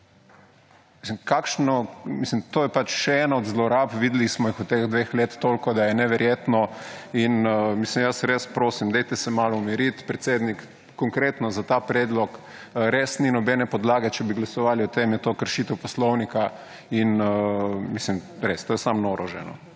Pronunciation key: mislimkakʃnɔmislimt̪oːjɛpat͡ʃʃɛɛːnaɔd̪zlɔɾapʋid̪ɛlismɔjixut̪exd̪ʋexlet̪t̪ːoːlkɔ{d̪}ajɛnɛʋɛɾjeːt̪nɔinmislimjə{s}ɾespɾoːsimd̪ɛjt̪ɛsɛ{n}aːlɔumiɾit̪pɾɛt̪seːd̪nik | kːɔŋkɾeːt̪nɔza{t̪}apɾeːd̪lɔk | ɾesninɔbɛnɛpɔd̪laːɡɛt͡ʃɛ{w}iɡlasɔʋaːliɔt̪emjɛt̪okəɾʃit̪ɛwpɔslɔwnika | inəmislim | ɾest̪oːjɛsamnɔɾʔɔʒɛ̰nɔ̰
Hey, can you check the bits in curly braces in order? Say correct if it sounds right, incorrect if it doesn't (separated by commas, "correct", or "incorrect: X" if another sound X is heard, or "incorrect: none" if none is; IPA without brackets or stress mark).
correct, correct, incorrect: m, correct, incorrect: b